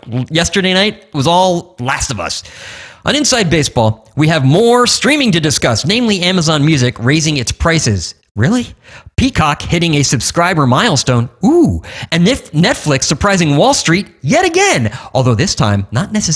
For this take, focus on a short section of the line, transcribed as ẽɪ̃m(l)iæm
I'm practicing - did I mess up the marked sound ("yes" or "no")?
no